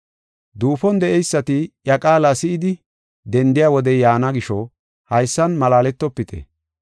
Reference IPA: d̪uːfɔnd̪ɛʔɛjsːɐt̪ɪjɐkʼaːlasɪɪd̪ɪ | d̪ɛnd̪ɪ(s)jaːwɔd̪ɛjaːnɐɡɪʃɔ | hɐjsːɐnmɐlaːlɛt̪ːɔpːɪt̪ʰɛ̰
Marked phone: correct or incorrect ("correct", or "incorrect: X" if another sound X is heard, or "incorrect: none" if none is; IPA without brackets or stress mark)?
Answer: incorrect: none